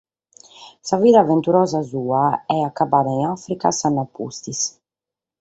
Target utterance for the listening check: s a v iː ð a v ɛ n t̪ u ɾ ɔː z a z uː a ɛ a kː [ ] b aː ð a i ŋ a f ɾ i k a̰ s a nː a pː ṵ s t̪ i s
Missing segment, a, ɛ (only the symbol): a